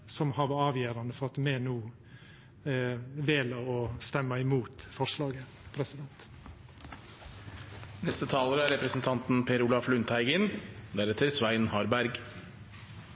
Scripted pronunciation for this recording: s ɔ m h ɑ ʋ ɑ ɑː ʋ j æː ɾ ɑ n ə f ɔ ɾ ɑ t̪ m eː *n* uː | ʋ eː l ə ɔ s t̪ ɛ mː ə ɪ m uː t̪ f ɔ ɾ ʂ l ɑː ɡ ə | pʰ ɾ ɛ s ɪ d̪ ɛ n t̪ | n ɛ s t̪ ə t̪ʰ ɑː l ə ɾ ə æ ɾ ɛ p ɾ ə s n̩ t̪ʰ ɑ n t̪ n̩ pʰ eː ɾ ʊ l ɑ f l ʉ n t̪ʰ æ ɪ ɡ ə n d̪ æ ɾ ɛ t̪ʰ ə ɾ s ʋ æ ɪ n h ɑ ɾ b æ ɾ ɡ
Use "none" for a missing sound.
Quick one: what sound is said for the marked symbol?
n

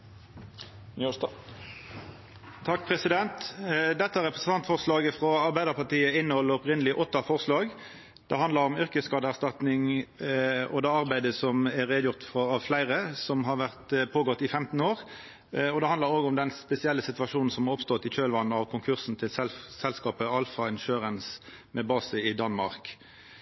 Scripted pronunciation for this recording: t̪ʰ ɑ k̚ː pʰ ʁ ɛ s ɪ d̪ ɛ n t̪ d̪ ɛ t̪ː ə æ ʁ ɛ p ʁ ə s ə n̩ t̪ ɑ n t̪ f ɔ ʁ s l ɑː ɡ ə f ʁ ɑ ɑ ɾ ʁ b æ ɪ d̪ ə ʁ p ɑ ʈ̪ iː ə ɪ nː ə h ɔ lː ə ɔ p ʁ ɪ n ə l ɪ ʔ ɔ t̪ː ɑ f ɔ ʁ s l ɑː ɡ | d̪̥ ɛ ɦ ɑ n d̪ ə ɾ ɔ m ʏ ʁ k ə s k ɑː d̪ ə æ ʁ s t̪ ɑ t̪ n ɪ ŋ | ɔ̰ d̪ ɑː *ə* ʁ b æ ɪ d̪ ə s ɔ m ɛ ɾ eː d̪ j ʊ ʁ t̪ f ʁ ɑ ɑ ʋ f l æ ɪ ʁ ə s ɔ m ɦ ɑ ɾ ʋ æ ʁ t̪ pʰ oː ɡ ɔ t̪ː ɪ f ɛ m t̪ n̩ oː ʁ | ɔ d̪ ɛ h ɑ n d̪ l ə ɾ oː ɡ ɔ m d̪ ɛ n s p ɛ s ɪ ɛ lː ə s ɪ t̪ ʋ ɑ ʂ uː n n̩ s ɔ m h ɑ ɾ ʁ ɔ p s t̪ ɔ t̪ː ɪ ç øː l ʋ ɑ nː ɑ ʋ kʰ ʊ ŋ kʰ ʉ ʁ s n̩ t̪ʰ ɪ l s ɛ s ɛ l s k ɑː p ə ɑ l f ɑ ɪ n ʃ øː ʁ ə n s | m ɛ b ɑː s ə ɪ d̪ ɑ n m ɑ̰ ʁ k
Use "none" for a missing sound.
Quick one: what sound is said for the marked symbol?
ɑ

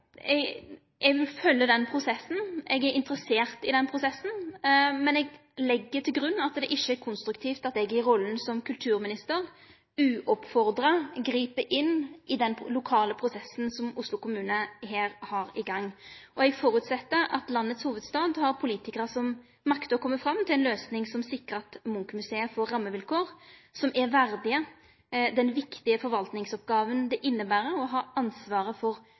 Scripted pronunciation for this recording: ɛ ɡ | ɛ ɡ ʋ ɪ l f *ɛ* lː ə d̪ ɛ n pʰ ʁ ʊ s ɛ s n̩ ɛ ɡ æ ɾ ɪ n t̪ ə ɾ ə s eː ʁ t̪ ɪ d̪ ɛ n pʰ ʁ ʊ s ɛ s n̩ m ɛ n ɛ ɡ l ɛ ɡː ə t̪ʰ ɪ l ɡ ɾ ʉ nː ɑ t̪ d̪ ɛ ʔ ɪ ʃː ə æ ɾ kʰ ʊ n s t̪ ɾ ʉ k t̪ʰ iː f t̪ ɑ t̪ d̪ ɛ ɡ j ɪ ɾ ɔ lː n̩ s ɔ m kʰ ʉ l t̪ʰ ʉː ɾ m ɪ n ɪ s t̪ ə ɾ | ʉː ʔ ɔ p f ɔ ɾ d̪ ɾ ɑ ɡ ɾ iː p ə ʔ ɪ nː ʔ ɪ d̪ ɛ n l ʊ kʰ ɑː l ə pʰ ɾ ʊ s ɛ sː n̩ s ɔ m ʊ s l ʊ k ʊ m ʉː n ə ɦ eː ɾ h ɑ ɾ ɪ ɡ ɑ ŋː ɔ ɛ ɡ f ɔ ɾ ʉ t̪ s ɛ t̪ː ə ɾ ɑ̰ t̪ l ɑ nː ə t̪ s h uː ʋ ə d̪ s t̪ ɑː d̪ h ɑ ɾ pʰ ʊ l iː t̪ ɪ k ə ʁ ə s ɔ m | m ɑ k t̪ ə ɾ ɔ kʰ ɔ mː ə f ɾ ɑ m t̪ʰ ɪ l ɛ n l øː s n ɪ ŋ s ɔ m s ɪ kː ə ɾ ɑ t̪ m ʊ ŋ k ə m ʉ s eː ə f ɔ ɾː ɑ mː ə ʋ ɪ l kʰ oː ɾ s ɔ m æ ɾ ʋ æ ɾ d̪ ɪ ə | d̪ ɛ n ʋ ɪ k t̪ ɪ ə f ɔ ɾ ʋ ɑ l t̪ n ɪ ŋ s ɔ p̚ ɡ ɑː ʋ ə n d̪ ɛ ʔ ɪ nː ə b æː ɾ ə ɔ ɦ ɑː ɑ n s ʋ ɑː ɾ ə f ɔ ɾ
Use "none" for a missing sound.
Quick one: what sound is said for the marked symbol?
œ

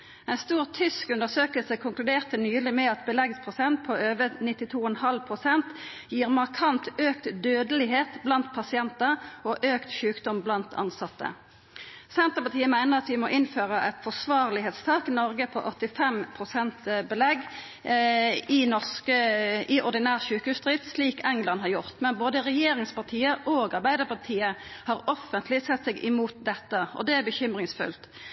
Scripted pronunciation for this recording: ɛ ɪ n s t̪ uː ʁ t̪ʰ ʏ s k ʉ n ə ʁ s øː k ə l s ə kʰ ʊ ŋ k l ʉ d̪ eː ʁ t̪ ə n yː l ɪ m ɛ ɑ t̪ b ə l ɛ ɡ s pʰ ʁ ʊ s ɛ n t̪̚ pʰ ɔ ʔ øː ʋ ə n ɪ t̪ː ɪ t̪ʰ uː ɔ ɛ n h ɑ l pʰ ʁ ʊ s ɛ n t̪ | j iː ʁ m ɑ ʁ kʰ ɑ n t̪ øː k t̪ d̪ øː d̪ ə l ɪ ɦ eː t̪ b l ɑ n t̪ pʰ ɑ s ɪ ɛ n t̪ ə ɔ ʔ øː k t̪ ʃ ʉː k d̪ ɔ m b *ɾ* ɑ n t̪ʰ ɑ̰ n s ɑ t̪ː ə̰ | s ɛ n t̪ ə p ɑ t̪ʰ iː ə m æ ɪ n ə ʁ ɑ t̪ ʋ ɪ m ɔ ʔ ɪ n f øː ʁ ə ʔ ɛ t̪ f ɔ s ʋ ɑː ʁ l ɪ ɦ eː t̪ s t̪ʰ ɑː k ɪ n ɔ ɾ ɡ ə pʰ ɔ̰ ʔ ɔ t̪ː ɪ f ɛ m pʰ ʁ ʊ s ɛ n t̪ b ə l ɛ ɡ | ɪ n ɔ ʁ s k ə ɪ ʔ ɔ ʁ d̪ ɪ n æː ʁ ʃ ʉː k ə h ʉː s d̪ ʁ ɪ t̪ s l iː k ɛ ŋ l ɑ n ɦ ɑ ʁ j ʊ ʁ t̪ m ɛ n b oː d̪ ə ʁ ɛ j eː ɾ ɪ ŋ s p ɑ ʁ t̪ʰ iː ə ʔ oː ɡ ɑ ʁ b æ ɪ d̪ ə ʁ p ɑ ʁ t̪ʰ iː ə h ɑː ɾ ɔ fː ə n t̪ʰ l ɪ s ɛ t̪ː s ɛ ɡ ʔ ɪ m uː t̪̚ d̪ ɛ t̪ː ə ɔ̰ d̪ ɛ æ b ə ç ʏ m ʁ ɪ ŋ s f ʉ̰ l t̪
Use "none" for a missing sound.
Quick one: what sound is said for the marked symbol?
l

